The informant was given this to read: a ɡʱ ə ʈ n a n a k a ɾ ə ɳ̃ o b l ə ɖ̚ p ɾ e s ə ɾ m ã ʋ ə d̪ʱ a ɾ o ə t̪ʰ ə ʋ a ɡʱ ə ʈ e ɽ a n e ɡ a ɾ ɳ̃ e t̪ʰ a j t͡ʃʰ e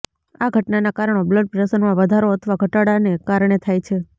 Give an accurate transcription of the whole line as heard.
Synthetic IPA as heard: a ɡʱ ə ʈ n a n a k a ɾ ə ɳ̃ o b l ə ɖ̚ p ɾ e s ə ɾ m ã ʋ ə d̪ʱ a ɾ o ə t̪ʰ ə ʋ a ɡʱ ə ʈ a ɽ a n e k a ɾ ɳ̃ e t̪ʰ a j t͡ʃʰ e